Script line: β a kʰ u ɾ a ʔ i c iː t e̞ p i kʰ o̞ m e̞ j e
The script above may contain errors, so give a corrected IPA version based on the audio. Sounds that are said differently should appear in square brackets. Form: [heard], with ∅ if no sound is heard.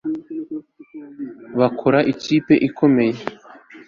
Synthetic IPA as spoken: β a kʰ [o] ɾ a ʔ i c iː [p] e̞ [ʔ] i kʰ o̞ m e̞ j e